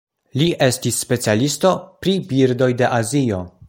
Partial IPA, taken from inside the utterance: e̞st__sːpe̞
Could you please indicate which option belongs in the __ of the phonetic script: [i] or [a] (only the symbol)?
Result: i